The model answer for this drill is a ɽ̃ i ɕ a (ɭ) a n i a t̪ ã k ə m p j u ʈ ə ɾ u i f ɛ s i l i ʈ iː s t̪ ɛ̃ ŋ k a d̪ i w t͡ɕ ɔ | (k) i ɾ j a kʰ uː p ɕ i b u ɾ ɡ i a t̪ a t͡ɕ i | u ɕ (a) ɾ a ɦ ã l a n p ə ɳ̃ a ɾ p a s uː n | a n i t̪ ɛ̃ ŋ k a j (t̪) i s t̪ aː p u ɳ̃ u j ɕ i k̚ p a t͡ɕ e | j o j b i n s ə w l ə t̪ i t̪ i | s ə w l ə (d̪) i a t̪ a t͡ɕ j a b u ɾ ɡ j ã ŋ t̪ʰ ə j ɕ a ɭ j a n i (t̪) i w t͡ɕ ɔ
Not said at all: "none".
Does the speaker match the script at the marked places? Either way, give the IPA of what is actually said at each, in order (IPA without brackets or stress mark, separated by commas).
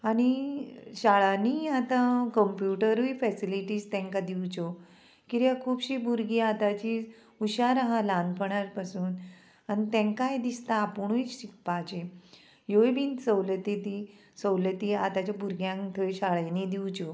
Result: ɭ, k, a, d̪, t̪, d̪